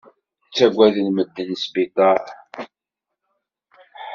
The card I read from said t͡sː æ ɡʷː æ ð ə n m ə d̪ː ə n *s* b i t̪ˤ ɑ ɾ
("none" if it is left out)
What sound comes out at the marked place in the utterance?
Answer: s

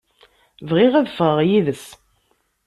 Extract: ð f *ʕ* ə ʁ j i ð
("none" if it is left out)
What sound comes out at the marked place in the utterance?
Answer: ʁ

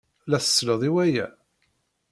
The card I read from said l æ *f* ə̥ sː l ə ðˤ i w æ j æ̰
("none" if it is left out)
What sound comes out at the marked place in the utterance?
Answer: θ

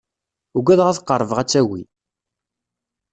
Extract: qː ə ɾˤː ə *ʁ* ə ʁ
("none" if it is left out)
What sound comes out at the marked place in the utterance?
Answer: v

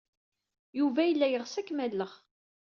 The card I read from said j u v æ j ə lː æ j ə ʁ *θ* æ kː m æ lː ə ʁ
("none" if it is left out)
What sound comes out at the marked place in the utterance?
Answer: s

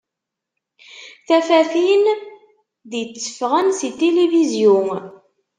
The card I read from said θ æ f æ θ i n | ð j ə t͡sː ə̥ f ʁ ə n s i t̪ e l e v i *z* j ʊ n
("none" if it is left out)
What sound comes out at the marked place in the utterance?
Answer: z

